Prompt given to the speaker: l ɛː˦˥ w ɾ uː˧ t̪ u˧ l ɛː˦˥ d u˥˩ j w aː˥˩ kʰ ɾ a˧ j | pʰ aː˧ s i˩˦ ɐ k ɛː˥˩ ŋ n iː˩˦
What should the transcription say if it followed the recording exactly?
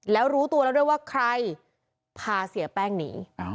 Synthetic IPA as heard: l ɛː˦˥ w ɾ uː˦˥ t̪ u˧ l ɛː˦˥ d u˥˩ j w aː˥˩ kʰ ɾ a˧ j | pʰ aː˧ s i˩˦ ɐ p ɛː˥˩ ŋ n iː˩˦